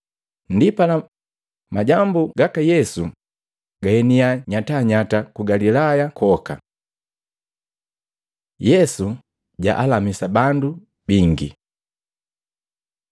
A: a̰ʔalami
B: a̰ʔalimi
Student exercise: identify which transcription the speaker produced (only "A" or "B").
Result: A